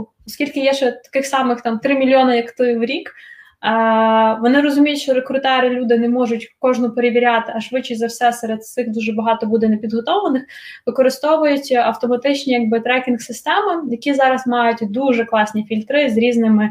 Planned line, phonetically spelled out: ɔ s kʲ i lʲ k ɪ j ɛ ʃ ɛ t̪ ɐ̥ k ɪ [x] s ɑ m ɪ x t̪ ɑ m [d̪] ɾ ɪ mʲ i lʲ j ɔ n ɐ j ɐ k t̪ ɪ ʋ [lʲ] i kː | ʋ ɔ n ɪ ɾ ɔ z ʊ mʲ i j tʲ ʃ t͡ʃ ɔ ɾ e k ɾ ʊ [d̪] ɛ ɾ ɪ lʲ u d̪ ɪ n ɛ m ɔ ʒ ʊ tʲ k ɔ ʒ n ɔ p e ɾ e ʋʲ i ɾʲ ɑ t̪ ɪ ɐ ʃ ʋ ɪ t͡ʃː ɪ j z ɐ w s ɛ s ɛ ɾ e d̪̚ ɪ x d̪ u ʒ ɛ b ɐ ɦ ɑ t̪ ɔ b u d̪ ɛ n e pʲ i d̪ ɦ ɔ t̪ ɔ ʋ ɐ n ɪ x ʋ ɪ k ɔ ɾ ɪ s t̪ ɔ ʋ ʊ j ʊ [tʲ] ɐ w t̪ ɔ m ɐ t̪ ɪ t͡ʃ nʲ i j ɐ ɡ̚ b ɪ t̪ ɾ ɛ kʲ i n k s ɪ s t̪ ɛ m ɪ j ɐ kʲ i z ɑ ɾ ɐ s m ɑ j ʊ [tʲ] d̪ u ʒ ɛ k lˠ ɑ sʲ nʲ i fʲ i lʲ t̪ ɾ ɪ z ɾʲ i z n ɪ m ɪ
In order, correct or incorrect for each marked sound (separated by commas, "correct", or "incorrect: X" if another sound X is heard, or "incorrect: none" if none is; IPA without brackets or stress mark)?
correct, incorrect: t̪, incorrect: ɾʲ, incorrect: t̪, correct, correct